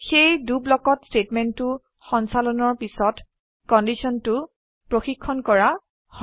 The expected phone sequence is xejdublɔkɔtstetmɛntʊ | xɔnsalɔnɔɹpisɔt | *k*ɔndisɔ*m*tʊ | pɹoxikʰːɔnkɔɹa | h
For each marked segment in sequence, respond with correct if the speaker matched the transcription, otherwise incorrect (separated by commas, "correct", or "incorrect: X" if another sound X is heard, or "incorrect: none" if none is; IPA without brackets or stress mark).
correct, incorrect: n